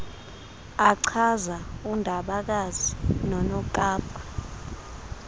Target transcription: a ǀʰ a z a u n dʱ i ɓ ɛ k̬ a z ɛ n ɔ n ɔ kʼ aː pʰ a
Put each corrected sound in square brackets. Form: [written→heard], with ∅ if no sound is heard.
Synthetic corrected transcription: a ǀʰ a z a u n dʱ [i→a] ɓ [ɛ→a] k̬ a z [ɛ→i] n ɔ n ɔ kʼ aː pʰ a